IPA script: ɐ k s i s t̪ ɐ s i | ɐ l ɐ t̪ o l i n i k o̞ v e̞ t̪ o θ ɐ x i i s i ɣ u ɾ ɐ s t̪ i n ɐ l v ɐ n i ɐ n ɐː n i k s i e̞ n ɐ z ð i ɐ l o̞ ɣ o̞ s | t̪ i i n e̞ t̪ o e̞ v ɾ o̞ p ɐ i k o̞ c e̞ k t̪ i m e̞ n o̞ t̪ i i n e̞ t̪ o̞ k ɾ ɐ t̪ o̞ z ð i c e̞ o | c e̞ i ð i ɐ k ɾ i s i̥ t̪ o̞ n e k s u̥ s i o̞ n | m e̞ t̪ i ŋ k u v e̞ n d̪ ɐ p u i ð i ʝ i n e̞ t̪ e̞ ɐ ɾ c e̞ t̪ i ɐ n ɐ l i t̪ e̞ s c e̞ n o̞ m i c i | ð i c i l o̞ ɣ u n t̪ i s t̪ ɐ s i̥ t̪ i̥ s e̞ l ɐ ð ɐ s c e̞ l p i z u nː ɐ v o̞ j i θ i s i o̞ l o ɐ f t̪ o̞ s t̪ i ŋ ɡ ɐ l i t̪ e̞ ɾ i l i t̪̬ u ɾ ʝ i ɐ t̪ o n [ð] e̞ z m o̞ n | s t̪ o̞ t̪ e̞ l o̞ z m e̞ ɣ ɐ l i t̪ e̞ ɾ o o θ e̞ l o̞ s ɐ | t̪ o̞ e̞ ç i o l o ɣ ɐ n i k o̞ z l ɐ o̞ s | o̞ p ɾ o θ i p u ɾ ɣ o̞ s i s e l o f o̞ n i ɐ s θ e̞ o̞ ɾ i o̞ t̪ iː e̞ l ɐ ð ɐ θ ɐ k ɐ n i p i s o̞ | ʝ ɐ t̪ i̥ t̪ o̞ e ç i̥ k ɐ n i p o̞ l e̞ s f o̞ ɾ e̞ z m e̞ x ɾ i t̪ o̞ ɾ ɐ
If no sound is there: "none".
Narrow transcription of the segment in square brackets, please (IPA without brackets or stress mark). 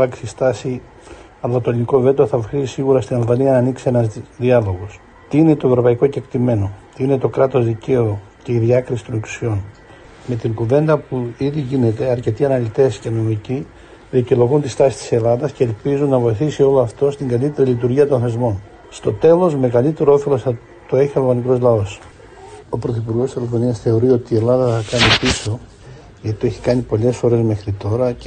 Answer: θ